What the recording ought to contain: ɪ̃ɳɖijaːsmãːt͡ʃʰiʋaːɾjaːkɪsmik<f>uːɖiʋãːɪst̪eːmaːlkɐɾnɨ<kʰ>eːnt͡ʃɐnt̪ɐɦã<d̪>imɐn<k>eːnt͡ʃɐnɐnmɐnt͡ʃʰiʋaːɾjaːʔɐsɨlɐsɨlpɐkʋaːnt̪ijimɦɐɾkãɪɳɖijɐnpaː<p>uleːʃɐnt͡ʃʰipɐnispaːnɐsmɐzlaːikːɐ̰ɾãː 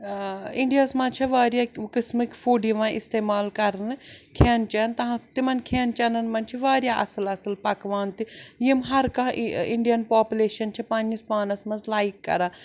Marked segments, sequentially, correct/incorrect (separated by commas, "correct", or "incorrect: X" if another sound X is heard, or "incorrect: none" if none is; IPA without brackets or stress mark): correct, correct, incorrect: t̪, incorrect: kʰ, correct